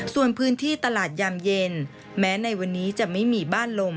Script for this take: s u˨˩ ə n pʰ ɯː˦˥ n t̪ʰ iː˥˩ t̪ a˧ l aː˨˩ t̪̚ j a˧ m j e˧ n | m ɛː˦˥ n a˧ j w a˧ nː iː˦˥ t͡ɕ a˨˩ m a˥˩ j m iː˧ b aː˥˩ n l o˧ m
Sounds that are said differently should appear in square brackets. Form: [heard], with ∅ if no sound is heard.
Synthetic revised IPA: s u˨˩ ə n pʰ ɯː˦˥ n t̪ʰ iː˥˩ t̪ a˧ l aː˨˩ t̪̚ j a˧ m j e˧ n | m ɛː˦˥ n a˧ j w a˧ nː iː˦˥ t͡ɕ a˨˩ m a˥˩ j m iː˧ b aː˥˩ n l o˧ m

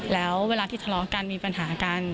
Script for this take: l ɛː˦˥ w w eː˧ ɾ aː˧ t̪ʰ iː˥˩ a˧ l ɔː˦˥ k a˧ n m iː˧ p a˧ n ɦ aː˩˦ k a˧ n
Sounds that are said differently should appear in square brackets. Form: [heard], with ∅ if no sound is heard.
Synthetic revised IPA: l ɛː˦˥ w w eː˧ [l] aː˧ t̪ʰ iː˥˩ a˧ l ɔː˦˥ k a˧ n m iː˧ p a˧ n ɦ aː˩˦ k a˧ n

